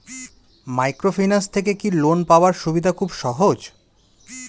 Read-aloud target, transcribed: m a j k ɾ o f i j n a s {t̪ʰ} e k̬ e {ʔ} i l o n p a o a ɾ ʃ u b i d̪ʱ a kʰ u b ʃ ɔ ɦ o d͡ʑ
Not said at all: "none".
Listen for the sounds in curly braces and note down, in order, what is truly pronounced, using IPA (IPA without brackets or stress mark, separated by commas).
t̪ʰ, k